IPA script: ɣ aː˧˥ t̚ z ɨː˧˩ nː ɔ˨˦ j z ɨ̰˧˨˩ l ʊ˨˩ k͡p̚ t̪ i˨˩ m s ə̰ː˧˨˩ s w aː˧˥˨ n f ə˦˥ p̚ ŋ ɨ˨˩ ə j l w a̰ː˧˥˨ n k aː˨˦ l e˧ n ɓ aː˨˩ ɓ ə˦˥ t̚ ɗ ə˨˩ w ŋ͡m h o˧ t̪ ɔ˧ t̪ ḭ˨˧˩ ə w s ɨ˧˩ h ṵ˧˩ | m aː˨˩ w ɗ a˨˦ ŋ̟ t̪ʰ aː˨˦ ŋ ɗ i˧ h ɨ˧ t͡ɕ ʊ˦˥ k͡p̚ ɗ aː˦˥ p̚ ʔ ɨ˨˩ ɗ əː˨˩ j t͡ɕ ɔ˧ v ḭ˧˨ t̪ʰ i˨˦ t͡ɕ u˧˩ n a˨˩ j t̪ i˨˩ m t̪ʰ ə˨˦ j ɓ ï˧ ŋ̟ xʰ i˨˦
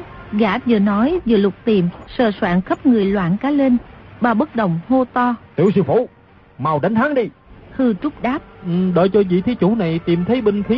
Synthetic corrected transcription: ɣ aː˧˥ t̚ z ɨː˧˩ n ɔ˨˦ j z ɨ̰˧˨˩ l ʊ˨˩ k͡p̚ t̪ i˨˩ m s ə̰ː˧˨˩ s w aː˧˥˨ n x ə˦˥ p̚ ŋ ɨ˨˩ ə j l w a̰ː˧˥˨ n k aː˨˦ l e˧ n ɓ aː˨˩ ɓ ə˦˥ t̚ ɗ ə˨˩ w ŋ͡m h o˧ t̪ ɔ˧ t̪ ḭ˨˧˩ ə w s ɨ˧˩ f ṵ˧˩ | m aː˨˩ w ɗ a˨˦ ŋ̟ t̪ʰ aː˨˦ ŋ ɗ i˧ h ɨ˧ t͡ɕ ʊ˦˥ k͡p̚ ɗ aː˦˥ p̚ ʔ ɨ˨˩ ɗ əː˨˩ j t͡ɕ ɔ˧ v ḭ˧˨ t̪ʰ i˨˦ t͡ɕ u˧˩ n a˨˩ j t̪ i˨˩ m t̪ʰ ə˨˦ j ɓ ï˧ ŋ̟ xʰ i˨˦